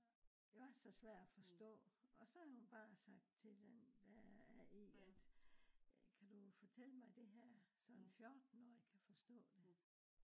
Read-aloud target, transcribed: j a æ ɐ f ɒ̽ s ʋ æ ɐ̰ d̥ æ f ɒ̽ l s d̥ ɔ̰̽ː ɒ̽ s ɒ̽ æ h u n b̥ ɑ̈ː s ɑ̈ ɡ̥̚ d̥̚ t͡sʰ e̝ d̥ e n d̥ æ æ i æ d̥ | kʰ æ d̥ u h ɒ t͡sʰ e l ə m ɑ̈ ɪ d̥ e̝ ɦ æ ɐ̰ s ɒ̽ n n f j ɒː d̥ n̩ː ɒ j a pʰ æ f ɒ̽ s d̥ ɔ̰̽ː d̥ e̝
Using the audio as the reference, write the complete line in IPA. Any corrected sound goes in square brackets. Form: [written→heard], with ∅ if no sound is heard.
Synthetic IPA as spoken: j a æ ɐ [f→s] ɒ̽ s ʋ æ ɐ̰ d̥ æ f ɒ̽ [l→∅] s d̥ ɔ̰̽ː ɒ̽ s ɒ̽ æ h u n b̥ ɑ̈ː s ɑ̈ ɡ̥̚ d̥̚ t͡sʰ e̝ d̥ e n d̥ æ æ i æ d̥ | kʰ æ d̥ u [h→f] ɒ t͡sʰ e l ə m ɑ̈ ɪ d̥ e̝ ɦ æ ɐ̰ s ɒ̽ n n f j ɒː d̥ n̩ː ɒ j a [pʰ→kʰ] æ f ɒ̽ s d̥ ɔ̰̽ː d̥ e̝